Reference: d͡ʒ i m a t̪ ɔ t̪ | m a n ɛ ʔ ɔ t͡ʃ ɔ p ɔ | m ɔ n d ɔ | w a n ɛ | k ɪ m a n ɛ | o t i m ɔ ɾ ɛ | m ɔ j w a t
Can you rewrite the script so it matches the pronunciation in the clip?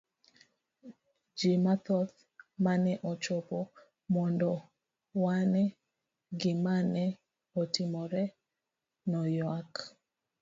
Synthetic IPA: d͡ʒ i m a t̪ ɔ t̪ | m a n ɛ ʔ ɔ t͡ʃ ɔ p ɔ | m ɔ n d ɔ | w a n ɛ | ɡ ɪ m a n ɛ | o t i m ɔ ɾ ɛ | n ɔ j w a k